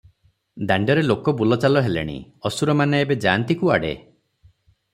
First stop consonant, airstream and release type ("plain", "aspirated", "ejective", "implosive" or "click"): plain